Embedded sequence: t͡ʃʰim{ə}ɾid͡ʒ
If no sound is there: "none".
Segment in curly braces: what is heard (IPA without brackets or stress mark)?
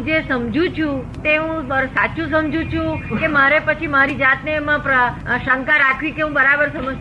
a